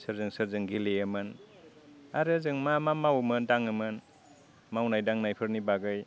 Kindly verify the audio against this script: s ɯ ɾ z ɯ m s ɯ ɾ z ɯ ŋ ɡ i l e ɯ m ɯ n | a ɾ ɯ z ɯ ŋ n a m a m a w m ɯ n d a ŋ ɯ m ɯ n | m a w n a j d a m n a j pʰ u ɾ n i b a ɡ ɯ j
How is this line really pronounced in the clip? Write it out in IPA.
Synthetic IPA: s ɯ ɾ z ɯ ŋ s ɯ ɾ z ɯ ŋ ɡ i l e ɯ m ɯ n | a ɾ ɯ z ɯ ŋ m a m a m a w m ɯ n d a ŋ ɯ m ɯ n | m a w n a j d a ŋ n a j pʰ ɯ ɾ n i b a ɡ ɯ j